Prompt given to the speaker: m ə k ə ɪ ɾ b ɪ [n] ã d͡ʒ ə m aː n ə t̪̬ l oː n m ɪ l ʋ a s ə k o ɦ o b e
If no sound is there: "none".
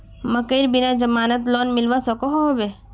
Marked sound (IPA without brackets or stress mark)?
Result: n